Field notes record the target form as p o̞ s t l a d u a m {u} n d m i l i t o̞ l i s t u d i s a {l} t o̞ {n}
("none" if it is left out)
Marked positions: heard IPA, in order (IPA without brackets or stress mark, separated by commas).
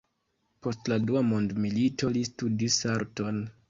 o, ɾ, n